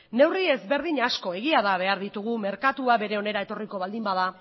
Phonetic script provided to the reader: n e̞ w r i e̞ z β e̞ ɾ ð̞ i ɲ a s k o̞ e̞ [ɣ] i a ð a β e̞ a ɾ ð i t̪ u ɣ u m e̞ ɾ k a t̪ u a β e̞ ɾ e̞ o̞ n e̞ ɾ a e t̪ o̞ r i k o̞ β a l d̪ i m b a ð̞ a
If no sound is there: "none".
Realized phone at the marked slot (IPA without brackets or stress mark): ɣ